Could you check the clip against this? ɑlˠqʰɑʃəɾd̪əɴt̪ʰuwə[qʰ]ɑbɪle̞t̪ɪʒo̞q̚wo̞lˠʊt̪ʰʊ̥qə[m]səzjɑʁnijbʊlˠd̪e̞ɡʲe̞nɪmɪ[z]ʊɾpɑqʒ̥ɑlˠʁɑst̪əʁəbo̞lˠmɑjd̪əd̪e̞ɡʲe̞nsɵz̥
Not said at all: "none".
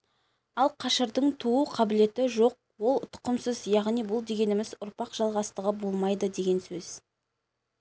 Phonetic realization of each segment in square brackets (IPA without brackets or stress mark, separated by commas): qʰ, m, z